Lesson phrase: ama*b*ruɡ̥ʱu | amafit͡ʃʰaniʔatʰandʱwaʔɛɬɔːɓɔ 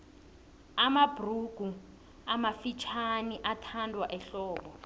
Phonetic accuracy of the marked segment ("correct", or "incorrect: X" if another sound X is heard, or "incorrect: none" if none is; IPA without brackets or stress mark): correct